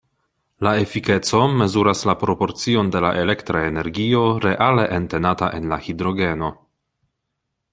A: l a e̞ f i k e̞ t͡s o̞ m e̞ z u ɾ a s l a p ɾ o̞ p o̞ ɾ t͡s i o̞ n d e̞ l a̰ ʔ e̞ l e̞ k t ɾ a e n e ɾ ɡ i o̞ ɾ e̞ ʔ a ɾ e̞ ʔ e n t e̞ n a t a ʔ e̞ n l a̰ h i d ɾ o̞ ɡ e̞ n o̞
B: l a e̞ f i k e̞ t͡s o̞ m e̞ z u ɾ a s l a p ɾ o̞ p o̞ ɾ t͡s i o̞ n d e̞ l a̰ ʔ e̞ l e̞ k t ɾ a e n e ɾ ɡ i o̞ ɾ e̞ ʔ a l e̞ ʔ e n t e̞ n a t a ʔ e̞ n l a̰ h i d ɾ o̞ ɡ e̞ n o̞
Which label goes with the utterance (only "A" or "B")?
B